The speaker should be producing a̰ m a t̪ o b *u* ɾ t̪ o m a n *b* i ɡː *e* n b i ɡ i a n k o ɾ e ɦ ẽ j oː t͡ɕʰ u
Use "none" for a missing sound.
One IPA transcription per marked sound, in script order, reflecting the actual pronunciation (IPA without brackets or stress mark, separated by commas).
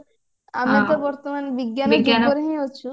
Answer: ɔ, b, a